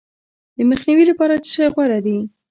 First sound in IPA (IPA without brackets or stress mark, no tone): d̪